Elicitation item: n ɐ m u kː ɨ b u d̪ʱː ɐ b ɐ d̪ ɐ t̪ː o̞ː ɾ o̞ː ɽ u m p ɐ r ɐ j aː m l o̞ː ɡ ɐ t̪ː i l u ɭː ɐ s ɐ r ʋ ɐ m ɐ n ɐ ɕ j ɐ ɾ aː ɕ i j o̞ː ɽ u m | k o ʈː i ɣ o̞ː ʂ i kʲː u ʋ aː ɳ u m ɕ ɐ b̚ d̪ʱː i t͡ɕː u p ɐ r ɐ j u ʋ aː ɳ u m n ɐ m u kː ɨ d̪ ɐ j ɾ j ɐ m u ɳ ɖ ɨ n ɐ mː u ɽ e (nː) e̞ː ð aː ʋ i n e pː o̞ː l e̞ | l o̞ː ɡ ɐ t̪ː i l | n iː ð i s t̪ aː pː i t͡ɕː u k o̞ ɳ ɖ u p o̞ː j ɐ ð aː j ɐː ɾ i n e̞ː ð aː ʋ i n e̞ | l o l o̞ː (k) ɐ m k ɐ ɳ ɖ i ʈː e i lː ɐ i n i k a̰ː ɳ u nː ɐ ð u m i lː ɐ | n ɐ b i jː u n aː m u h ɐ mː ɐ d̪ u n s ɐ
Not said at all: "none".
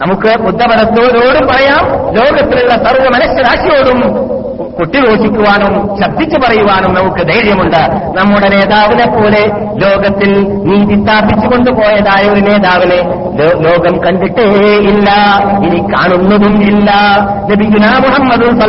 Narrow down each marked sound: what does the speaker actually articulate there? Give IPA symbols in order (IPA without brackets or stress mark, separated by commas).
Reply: n, ɡ